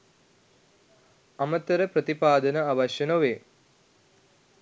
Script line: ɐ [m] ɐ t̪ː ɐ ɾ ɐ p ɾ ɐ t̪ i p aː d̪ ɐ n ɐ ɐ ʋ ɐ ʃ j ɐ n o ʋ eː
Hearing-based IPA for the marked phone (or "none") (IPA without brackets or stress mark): m